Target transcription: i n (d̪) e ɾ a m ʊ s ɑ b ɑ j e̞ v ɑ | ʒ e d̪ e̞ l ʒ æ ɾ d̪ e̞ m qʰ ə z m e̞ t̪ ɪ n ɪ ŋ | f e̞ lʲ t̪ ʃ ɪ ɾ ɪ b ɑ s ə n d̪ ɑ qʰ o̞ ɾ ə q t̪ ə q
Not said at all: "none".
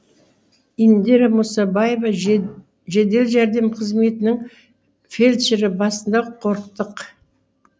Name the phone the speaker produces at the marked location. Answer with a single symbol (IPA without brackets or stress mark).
d̪